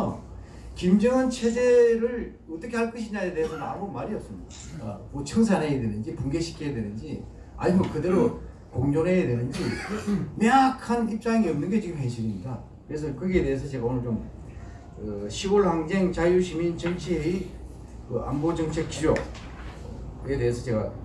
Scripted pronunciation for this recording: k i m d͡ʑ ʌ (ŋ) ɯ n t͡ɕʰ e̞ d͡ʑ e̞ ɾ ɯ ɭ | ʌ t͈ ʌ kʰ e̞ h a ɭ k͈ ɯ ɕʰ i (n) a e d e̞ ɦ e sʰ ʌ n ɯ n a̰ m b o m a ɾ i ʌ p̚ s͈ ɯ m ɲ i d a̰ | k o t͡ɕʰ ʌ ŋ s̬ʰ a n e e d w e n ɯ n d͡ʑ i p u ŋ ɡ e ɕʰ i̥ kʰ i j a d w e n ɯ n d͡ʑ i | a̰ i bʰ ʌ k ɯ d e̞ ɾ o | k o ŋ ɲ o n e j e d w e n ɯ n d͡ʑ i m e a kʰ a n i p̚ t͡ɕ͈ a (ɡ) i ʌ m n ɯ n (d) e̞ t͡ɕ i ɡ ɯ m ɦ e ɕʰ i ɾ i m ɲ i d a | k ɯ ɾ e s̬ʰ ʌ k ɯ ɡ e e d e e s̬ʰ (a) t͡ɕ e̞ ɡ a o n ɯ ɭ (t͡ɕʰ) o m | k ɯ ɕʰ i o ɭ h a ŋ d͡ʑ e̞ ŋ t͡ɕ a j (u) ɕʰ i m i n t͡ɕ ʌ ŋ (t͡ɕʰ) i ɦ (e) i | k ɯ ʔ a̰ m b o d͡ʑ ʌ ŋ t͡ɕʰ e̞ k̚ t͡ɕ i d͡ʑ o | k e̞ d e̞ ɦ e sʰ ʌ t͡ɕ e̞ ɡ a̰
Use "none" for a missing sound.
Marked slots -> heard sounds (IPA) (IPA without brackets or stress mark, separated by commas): ŋ, ɲ, ŋ, ɡ, ʌ, t͡ɕ, u, t͡ɕʰ, e